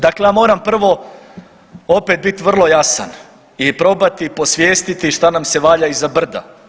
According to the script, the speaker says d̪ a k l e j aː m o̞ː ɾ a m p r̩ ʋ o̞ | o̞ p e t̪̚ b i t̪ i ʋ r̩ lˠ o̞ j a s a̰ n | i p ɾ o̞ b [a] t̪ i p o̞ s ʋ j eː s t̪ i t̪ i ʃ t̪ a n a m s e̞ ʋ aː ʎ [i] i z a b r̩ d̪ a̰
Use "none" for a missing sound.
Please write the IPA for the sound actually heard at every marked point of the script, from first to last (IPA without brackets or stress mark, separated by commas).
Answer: a, a